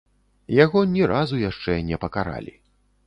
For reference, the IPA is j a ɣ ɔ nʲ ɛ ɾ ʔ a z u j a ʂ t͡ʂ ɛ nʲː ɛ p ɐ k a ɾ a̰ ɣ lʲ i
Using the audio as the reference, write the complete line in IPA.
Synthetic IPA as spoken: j a ɣ ɔ nʲ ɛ ɾ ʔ a z u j a ʂ t͡ʂ ɛ nʲ ɛ p ɐ k a ɾ a̰ lʲ i